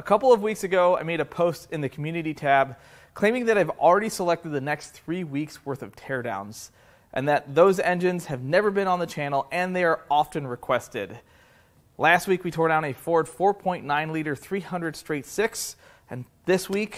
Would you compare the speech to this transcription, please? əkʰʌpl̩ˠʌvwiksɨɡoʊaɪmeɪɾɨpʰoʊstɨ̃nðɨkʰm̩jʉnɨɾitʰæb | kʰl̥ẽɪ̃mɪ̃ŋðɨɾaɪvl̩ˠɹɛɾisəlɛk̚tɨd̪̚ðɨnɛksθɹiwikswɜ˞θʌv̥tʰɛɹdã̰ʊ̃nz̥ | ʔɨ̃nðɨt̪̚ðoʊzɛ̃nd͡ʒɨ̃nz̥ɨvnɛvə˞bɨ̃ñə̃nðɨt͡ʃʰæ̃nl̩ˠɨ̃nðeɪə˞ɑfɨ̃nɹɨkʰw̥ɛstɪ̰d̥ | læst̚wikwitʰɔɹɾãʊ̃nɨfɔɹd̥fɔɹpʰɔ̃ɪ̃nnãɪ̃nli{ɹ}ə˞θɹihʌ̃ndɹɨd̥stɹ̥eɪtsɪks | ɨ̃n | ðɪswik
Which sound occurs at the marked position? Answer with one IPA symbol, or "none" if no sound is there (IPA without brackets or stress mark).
ɾ